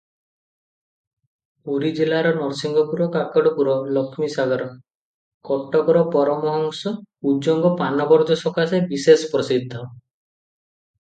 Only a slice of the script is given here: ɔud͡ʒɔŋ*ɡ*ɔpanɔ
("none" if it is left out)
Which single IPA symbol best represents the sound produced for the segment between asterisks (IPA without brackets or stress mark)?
ɡ